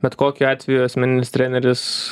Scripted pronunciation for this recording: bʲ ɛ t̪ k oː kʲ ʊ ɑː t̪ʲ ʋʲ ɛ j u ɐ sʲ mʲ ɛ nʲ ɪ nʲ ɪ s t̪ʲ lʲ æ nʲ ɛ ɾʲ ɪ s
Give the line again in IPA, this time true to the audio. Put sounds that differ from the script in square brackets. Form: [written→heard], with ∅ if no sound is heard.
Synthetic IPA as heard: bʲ ɛ t̪ k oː kʲ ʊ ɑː t̪ʲ ʋʲ ɛ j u ɐ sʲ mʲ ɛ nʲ ɪ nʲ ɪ s t̪ʲ [lʲ→ɾʲ] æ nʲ ɛ ɾʲ ɪ s